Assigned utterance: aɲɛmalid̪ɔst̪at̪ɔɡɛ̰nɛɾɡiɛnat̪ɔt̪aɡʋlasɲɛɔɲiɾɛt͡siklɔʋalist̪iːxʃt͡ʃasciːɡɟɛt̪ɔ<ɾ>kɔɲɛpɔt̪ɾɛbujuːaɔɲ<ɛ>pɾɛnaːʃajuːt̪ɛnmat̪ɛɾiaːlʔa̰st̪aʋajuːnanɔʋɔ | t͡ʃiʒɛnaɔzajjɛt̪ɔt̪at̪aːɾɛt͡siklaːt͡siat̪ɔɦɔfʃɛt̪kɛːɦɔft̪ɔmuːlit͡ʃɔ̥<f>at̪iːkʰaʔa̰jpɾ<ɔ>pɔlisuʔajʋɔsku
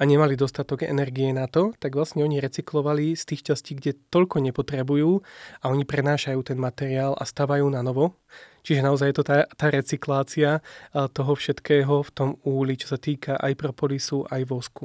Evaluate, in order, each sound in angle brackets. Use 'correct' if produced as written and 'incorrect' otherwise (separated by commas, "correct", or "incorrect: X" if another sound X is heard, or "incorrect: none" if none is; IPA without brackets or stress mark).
incorrect: ʎ, incorrect: i, incorrect: s, correct